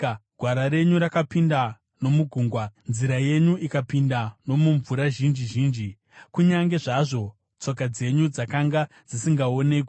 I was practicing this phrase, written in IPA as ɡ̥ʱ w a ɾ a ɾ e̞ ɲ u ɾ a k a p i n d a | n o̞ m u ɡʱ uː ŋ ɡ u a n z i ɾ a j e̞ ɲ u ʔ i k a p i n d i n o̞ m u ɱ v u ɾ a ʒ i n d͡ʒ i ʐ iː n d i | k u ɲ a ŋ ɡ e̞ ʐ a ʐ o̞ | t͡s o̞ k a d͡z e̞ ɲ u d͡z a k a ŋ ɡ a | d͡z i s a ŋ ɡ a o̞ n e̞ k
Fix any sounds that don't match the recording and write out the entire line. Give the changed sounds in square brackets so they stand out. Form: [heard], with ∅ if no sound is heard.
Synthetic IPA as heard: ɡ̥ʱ w a ɾ a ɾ e̞ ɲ u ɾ a k a p i n d a | n o̞ m u ɡʱ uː ŋ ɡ [w] a n z i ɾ a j e̞ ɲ u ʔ i k a p i n d [a] n o̞ m u ɱ v u ɾ a ʒ i n d͡ʒ i [ʒ] iː n [d͡ʒ] i | k u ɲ a ŋ ɡ e̞ ʐ a ʐ o̞ | t͡s o̞ k a d͡z e̞ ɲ u d͡z a k a ŋ ɡ a | d͡z i s [i] ŋ ɡ a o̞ n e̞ k